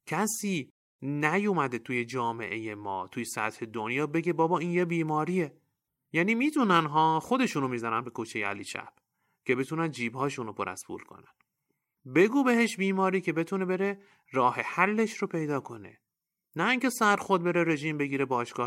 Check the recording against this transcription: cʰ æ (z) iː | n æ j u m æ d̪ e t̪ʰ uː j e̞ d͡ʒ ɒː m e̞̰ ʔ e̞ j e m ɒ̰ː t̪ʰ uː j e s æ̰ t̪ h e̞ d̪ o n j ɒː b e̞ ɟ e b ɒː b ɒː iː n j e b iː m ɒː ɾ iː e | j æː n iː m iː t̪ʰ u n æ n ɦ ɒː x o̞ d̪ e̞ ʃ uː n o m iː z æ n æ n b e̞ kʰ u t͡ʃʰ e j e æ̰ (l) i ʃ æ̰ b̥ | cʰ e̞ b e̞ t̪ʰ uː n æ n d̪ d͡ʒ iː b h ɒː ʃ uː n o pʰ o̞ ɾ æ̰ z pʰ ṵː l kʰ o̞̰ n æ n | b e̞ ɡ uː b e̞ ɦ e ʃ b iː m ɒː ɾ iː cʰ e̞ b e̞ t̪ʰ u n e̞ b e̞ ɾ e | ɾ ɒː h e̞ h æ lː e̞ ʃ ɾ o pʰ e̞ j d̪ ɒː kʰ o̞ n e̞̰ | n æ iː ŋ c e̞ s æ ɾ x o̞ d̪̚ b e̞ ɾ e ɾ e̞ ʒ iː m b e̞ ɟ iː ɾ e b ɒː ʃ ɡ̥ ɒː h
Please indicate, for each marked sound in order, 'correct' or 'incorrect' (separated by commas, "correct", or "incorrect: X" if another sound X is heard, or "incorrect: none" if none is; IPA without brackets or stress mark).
incorrect: s, correct